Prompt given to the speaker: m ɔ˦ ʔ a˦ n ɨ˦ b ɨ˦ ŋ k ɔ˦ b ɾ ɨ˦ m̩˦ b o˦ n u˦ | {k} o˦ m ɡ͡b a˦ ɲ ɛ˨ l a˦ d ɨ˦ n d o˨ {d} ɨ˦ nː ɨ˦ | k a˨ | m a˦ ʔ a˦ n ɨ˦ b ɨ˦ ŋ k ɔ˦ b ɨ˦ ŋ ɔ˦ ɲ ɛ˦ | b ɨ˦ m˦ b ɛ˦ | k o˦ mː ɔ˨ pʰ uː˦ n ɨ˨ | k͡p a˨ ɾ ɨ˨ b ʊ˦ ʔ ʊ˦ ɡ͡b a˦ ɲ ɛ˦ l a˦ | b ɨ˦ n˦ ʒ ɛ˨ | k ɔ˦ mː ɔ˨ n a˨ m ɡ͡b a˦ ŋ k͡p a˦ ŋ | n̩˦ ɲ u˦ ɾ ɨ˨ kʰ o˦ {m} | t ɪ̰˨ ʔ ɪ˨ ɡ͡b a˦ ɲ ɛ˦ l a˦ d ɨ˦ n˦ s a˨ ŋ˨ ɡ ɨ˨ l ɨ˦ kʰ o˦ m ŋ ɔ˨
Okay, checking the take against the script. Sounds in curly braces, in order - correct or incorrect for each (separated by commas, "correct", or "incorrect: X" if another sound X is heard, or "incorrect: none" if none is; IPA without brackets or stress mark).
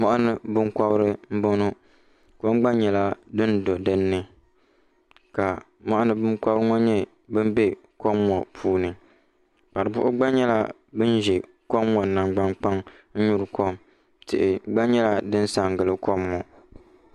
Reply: correct, correct, correct